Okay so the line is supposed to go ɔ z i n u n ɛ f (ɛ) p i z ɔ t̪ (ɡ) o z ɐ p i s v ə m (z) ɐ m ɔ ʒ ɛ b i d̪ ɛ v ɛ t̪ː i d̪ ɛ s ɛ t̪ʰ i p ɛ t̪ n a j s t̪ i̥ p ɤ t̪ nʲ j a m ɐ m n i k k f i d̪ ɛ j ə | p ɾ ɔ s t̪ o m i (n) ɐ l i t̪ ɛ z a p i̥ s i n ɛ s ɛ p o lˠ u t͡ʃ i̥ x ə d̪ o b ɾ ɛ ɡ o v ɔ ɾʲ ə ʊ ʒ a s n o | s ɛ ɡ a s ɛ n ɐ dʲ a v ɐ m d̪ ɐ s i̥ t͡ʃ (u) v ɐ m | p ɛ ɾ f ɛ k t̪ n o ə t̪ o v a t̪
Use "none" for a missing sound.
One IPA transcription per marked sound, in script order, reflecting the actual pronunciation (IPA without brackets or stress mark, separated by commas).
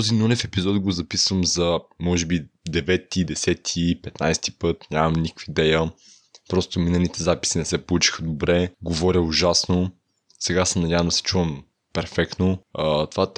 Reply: ɛ, ɡ, z, n, u